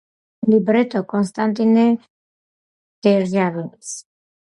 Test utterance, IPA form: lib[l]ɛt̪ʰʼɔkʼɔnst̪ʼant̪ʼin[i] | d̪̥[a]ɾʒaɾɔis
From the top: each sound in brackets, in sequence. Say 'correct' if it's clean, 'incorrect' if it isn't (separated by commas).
incorrect, incorrect, incorrect